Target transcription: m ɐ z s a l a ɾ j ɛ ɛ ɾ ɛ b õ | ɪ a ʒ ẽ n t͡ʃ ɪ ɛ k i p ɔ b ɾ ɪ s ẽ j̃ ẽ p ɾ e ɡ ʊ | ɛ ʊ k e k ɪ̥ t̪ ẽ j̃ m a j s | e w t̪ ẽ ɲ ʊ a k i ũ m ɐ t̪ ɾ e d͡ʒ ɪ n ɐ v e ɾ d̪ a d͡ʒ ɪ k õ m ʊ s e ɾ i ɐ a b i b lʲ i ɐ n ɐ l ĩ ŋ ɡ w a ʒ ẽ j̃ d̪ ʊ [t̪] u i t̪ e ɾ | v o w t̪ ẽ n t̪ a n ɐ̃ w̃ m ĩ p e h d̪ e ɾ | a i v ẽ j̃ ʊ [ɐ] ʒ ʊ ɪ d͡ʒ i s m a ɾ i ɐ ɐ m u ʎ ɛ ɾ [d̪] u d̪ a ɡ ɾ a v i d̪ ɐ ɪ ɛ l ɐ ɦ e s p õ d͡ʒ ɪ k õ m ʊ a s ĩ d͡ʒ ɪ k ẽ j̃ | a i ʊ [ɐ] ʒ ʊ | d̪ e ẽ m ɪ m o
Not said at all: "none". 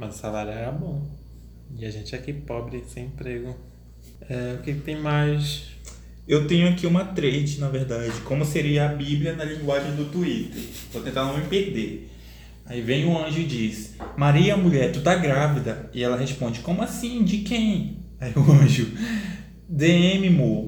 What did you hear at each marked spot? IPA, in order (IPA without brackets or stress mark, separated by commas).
t̪, ɐ̃, t̪, ɐ̃